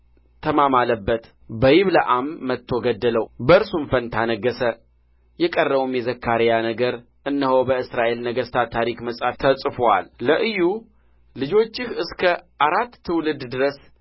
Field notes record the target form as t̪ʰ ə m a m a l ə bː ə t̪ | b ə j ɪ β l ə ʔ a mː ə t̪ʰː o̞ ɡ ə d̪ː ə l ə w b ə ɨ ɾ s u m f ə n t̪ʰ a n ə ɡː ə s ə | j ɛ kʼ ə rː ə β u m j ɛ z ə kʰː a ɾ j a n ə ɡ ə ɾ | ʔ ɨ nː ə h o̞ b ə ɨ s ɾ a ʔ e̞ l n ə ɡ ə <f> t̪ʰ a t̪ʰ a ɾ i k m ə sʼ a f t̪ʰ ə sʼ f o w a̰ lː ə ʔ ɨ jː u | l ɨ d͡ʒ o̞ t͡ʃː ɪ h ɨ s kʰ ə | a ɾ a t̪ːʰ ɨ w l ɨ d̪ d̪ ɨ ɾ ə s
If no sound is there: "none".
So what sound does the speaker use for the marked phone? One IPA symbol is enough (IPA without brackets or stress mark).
s